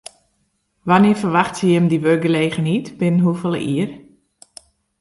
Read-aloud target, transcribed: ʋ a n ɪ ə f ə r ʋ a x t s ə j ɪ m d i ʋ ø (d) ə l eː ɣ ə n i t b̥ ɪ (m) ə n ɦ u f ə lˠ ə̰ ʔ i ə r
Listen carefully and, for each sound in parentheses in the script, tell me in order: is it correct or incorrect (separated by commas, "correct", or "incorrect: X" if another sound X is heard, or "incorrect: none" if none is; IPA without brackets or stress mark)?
incorrect: ɡ, incorrect: n